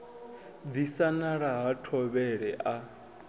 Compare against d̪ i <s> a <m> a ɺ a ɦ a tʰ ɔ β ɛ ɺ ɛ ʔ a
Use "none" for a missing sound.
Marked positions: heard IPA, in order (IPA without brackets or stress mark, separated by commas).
s, n